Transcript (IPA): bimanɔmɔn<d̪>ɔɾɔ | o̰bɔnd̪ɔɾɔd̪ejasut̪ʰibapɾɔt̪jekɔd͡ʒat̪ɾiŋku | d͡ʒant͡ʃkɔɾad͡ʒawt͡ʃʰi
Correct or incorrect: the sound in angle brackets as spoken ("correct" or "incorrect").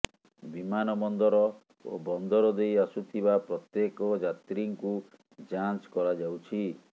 correct